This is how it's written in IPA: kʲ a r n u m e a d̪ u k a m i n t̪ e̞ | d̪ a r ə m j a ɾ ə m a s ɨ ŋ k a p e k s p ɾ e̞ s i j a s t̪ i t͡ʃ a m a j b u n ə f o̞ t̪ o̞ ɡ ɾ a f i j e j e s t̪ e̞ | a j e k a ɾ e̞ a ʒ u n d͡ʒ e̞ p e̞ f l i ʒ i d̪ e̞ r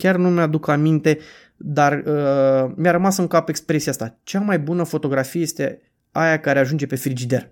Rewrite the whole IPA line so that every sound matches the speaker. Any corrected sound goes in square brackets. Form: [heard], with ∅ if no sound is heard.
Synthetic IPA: kʲ a r n u m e a d̪ u k a m i n t̪ e̞ | d̪ a r ə m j a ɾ ə m a s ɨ ŋ k a p e k s p ɾ e̞ s i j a s t̪ [a] t͡ʃ a m a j b u n ə f o̞ t̪ o̞ ɡ ɾ a f i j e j e s t̪ e̞ | a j [a] k a ɾ e̞ a ʒ u n d͡ʒ e̞ p e̞ f [ɾ] i [d͡ʒ] i d̪ e̞ r